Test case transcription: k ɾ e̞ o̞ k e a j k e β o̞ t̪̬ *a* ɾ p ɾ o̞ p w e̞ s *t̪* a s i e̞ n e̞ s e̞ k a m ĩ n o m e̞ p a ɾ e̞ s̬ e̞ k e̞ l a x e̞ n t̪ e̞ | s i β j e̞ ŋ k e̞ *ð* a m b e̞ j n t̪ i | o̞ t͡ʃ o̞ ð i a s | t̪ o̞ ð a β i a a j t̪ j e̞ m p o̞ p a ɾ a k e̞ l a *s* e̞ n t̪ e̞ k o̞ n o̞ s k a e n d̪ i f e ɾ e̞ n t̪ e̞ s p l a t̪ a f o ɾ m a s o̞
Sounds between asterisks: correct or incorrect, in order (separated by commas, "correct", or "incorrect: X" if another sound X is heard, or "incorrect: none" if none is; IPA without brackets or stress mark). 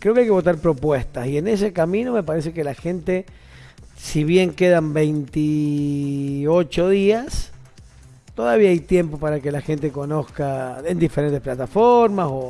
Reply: correct, correct, correct, incorrect: x